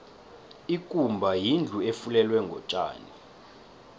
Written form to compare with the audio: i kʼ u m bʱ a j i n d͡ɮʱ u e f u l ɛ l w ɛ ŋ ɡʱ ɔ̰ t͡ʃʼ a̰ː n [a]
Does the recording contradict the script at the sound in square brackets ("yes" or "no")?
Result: yes